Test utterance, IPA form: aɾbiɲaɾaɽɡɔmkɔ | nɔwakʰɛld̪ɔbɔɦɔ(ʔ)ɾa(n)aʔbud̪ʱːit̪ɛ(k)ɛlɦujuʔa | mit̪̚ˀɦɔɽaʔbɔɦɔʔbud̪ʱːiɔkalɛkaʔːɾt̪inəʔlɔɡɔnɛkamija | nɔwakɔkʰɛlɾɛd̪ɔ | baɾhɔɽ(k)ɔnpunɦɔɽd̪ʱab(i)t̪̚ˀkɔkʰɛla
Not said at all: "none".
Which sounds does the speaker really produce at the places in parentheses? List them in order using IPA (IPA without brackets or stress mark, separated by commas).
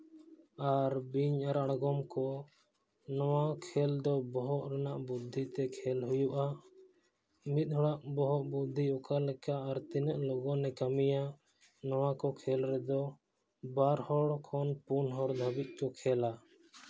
ʔ, n, kʰ, kʰ, i